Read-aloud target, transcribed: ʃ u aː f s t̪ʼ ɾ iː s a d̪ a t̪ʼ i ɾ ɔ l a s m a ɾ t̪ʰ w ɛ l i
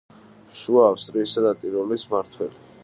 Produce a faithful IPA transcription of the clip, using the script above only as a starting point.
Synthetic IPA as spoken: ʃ u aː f s t̪ʼ ɾ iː s a d̪ a t̪ʼ i ɾ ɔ l i s m a ɾ t̪ʰ w ɛ l i